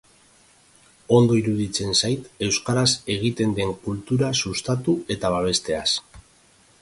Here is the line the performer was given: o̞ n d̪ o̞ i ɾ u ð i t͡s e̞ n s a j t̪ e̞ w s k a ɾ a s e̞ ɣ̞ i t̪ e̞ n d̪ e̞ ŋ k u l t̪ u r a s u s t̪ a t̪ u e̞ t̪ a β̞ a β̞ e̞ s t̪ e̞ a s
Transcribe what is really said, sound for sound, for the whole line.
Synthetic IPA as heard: o̞ n d̪ o̞ i ɾ u ð i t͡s e̞ n s a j t̪ e̞ w s k a ɾ a s e̞ ɣ̞ i t̪ e̞ n d̪ e̞ ŋ k u l t̪ u ɾ a s u s t̪ a t̪ u e̞ t̪ a β̞ a β̞ e̞ s t̪ e̞ a s